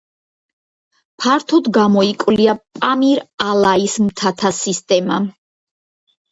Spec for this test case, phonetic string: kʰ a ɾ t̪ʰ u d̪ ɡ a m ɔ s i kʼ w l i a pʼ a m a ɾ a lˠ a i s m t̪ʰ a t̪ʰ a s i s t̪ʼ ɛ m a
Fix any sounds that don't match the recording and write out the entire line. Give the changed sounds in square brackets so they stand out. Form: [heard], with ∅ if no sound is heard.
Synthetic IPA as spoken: [pʰ] a ɾ t̪ʰ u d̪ ɡ a m ɔ [∅] i kʼ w l i a pʼ a m [i] ɾ a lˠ a i s m t̪ʰ a t̪ʰ a s i s t̪ʼ ɛ m a